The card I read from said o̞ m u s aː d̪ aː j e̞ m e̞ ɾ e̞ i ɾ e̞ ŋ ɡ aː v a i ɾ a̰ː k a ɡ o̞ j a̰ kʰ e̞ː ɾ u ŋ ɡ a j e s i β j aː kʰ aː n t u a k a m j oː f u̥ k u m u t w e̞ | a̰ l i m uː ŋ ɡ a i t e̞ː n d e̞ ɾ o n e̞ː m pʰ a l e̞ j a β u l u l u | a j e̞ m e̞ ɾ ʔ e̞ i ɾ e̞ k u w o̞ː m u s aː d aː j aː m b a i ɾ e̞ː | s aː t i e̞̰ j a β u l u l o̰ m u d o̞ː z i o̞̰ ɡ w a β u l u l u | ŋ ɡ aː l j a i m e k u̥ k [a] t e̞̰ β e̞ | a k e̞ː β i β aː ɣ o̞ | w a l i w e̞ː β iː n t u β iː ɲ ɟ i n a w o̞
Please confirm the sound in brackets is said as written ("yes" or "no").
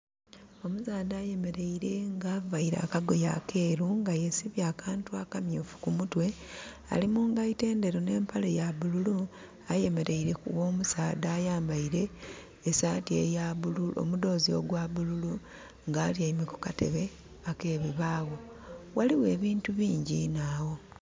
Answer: yes